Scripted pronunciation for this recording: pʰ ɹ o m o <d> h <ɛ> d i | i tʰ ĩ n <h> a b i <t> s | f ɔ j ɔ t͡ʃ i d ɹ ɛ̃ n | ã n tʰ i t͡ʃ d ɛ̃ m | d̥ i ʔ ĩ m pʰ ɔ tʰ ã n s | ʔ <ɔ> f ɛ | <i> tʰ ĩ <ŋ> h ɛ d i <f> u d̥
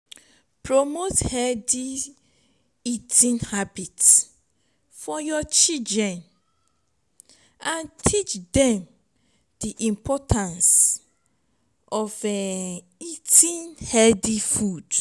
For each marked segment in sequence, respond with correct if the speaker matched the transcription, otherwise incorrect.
incorrect: t, correct, correct, correct, correct, correct, incorrect: n, correct

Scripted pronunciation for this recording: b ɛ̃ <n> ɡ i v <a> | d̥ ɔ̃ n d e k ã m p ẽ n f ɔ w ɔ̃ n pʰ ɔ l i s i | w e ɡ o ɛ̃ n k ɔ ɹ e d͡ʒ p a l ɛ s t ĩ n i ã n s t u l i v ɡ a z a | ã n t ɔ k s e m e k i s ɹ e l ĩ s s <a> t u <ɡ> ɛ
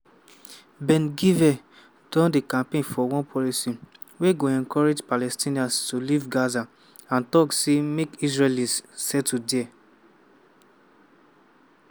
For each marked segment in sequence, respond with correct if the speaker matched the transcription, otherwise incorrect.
correct, incorrect: ɛ, incorrect: ɛ, incorrect: d

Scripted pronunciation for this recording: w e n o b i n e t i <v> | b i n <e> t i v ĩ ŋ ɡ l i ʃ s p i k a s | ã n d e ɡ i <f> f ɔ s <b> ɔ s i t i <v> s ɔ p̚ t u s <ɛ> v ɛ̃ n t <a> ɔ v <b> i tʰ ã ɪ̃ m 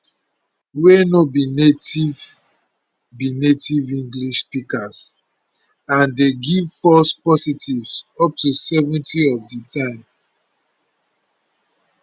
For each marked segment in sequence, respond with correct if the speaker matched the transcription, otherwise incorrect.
correct, correct, incorrect: v, incorrect: p, correct, correct, incorrect: i, incorrect: d

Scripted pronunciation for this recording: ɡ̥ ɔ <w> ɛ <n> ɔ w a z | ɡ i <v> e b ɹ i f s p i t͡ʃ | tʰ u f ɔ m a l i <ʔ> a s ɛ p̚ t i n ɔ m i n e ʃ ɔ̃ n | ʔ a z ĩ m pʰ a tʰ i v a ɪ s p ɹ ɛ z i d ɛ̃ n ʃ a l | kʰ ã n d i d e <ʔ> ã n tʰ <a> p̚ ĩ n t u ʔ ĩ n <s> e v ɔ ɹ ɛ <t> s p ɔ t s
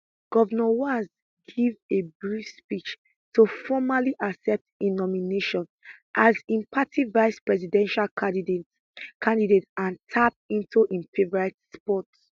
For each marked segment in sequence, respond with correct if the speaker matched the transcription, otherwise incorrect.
incorrect: v, correct, correct, correct, incorrect: t, correct, incorrect: f, correct

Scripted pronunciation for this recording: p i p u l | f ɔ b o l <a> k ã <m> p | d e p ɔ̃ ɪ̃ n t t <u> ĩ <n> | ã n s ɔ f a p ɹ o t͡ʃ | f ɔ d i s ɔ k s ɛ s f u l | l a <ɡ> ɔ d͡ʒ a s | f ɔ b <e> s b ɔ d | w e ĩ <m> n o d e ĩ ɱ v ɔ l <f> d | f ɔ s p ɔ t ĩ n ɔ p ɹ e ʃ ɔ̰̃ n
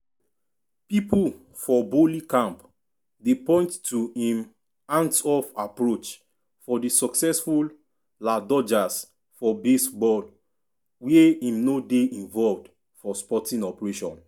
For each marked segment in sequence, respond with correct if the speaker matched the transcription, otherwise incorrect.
incorrect: i, correct, correct, incorrect: m, incorrect: d, correct, correct, incorrect: v

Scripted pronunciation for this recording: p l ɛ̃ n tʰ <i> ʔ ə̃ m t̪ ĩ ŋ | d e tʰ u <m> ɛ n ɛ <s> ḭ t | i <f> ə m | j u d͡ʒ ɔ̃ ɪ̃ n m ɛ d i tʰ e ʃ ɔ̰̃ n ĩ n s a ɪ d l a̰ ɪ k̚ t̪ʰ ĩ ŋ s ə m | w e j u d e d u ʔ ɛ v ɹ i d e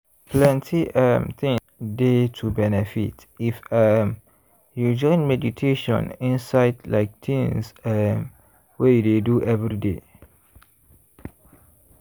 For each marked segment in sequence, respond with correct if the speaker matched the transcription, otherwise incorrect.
correct, incorrect: b, incorrect: f, correct

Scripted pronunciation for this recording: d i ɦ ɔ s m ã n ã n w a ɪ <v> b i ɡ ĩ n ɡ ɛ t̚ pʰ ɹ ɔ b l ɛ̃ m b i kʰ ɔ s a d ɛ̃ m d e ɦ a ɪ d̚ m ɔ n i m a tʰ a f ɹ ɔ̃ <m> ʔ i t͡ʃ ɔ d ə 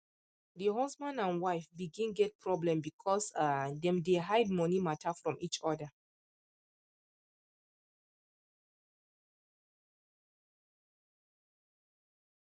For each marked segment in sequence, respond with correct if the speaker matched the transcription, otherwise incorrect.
incorrect: f, correct

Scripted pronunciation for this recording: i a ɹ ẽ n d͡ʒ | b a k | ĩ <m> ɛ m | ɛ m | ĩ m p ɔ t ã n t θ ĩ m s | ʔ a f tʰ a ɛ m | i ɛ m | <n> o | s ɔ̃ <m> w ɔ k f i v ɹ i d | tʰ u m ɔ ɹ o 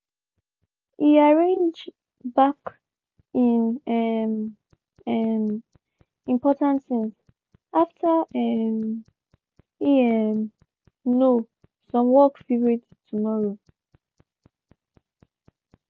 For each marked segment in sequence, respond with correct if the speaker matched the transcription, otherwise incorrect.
incorrect: n, correct, correct

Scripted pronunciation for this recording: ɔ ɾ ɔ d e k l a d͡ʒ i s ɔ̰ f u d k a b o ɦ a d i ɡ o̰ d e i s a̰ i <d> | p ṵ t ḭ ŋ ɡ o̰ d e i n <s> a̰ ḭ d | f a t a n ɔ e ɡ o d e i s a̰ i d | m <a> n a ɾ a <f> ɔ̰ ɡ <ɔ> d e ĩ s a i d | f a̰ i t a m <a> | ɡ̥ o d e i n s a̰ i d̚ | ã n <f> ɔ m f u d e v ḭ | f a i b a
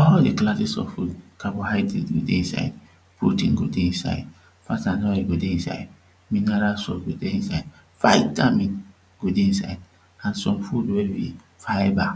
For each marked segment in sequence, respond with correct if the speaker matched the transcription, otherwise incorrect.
correct, correct, incorrect: i, incorrect: s, incorrect: o, incorrect: i, incorrect: s

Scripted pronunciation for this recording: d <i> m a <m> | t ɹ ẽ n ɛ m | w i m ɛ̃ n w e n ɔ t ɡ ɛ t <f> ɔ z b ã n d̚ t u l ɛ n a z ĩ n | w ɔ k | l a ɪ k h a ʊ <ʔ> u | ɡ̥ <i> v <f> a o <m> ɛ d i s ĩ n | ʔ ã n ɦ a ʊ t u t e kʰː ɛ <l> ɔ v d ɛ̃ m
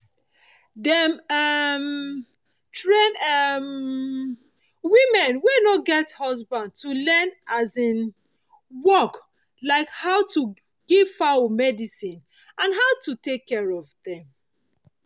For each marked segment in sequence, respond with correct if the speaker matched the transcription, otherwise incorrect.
incorrect: ɛ, correct, incorrect: h, incorrect: t, correct, correct, correct, incorrect: ɹ

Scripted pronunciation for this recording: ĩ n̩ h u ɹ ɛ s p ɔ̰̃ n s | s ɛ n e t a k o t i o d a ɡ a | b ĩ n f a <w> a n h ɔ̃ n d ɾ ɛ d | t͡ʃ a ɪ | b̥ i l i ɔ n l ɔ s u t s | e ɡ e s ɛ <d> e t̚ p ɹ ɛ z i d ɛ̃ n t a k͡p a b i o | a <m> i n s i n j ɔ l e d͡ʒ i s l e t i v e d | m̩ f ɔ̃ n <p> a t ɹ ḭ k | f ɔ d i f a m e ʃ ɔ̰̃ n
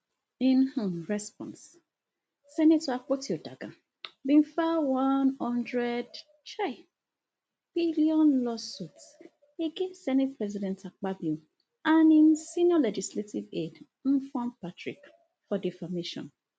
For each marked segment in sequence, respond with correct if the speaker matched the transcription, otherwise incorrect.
correct, incorrect: n, incorrect: n, correct

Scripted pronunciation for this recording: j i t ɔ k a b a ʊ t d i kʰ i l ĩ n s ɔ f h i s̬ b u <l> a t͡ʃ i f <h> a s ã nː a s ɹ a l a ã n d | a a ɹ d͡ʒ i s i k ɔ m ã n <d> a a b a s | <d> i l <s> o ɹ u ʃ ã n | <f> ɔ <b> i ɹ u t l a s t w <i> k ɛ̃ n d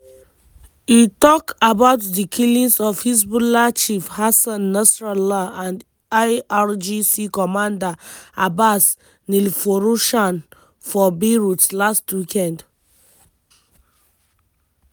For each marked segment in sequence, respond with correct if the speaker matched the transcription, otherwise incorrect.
correct, correct, correct, incorrect: n, incorrect: f, correct, correct, correct

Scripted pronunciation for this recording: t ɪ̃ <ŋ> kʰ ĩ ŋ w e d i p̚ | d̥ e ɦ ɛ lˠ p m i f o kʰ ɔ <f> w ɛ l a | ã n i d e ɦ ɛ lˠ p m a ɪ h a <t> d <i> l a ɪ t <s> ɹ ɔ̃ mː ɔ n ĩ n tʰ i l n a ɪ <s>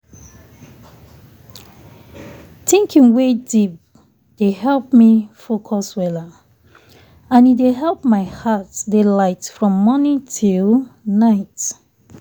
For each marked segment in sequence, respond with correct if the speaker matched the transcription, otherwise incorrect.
correct, incorrect: s, correct, incorrect: e, incorrect: f, incorrect: t

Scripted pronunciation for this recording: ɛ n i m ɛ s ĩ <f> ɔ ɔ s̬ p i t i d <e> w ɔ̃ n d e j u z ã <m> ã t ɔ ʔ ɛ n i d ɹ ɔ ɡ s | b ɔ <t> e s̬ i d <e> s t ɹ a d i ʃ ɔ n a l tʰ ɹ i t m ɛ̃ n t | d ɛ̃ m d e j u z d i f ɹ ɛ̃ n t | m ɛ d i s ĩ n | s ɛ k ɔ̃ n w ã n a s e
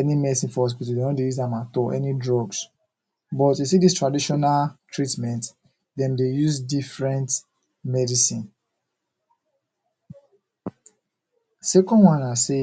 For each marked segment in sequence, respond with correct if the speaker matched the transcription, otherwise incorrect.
correct, correct, correct, correct, incorrect: i

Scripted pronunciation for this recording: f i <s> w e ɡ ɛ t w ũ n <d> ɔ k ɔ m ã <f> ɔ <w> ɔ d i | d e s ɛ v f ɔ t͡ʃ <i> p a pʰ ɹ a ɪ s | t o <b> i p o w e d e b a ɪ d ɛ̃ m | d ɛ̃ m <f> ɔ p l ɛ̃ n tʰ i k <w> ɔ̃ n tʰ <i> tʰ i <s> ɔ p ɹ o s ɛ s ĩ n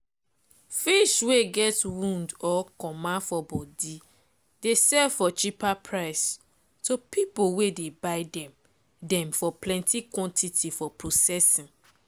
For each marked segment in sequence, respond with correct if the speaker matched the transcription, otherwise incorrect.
incorrect: ʃ, correct, correct, incorrect: b, correct, incorrect: p, correct, correct, correct, incorrect: f

